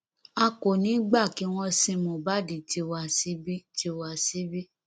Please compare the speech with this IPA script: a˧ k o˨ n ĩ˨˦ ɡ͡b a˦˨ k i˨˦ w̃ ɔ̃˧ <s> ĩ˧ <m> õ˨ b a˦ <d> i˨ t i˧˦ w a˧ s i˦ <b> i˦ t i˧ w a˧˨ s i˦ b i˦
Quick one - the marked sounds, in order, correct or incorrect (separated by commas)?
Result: correct, correct, correct, correct